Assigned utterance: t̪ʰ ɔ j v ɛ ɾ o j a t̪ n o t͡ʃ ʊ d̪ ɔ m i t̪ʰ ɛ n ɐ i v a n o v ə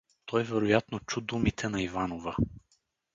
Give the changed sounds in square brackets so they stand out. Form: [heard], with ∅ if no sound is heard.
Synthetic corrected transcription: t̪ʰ ɔ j v ɛ ɾ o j a t̪ n o t͡ʃ [u] d̪ [u] m i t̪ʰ ɛ n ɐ i v a n o v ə